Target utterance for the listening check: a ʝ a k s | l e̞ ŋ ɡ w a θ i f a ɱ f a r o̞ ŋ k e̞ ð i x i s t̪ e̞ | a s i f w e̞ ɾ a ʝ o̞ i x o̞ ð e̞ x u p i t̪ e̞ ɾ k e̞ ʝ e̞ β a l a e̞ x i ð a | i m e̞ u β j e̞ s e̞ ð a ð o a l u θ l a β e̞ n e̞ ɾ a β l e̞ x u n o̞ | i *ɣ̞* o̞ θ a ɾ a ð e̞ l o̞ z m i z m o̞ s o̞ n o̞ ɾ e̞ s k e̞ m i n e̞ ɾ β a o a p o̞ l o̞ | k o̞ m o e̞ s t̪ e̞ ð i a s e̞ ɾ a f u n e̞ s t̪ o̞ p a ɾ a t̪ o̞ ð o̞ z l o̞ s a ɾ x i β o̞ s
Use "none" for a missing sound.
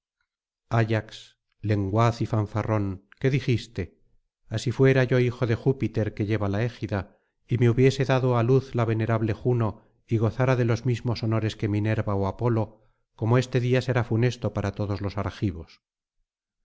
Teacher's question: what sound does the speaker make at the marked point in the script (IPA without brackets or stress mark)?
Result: ɣ̞